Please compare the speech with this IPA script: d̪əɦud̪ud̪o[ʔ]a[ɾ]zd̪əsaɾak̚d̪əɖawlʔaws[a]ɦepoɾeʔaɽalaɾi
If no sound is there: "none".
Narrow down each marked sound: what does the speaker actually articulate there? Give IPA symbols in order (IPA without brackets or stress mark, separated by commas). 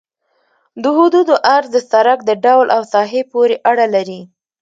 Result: ʔ, ɾ, ɑ